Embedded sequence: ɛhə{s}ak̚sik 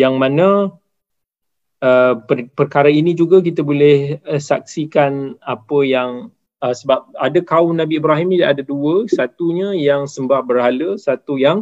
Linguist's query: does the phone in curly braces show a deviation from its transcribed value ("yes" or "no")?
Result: no